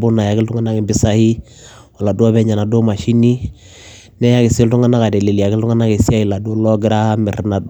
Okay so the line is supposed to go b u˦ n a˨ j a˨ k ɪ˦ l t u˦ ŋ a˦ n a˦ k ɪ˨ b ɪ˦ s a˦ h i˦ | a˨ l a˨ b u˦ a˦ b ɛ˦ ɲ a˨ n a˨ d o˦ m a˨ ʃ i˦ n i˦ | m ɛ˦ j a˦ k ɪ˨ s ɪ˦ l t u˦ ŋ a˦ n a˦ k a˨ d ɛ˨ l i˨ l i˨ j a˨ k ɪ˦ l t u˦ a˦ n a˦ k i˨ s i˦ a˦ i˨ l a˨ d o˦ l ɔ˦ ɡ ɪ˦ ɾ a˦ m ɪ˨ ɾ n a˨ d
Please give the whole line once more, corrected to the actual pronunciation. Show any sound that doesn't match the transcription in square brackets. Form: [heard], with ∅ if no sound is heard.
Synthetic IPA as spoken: b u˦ n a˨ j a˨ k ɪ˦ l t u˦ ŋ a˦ n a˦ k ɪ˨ b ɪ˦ s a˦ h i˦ | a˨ l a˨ [d] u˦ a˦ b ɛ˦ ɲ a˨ n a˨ d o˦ m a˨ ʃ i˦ n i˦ | [n] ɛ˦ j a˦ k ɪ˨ s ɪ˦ l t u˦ ŋ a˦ n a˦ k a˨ d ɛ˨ l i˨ l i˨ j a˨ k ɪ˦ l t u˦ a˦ n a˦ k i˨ s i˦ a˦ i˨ l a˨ d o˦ l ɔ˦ ɡ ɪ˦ ɾ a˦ m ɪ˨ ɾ n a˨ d